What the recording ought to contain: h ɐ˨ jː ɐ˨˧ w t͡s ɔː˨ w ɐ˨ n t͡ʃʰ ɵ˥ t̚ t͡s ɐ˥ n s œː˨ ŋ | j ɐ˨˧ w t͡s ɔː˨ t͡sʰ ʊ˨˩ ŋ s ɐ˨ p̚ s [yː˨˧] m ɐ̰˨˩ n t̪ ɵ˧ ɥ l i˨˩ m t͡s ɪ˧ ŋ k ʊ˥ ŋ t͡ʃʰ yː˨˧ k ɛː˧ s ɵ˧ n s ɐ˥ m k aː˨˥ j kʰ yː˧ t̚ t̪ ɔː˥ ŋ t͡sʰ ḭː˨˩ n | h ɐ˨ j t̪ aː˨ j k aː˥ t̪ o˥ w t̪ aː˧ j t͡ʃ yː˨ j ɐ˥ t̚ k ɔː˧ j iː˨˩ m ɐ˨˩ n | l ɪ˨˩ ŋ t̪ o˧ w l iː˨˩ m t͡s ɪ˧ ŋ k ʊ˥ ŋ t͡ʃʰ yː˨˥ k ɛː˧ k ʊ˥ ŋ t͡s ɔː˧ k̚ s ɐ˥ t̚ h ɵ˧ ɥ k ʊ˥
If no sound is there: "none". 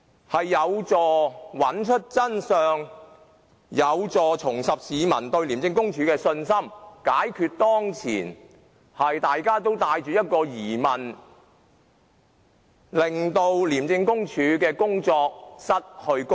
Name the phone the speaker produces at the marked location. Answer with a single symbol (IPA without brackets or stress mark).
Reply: iː˨˧